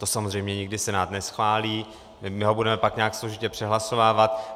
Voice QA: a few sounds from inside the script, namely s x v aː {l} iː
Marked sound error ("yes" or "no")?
no